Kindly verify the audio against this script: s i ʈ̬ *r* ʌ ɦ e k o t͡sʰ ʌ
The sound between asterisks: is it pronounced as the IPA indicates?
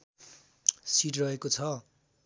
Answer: yes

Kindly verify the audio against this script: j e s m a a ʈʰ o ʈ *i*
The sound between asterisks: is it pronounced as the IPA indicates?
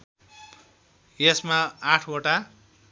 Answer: no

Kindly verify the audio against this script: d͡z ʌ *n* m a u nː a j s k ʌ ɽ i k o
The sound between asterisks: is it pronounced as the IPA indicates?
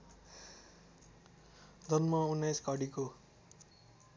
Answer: yes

